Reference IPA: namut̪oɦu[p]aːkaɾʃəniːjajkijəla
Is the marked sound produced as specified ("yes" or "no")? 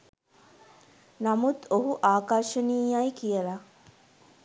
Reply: no